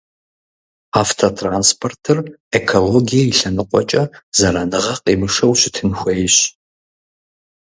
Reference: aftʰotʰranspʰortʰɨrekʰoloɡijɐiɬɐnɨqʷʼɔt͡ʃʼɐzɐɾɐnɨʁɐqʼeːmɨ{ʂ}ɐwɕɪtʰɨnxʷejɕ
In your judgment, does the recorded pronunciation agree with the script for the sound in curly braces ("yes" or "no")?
yes